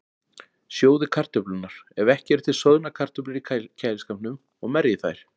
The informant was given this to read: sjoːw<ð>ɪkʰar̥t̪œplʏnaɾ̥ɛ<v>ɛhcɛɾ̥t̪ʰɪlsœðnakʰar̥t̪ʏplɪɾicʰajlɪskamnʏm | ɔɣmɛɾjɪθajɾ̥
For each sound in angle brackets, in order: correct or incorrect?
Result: correct, correct

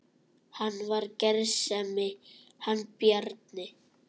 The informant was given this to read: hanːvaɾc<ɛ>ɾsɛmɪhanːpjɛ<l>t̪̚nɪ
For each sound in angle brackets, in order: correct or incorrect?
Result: correct, incorrect: ɾ

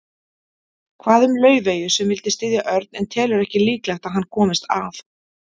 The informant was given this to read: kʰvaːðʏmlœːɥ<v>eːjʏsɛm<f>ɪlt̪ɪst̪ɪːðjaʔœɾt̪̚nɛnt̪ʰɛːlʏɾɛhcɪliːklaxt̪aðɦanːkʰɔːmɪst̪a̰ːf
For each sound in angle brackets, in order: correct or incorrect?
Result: correct, incorrect: v

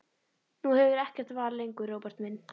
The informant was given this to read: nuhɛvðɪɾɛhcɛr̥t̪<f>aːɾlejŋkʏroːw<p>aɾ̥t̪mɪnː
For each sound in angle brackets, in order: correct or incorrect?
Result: incorrect: v, correct

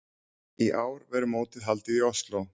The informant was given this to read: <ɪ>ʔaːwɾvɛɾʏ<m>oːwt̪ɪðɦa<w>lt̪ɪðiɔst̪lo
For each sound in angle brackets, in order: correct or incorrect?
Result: incorrect: i, correct, incorrect: none

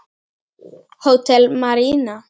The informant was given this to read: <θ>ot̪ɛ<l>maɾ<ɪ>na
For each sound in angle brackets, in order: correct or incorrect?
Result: incorrect: h, correct, incorrect: i

